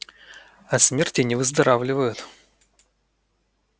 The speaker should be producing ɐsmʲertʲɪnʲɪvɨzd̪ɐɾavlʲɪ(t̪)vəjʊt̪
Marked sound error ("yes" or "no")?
yes